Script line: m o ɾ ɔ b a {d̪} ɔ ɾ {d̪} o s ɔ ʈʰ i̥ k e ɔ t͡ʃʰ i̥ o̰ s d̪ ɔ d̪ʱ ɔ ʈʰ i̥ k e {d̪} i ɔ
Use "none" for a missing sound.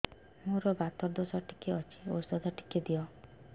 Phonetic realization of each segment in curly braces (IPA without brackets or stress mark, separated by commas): t̪, d̪, d̪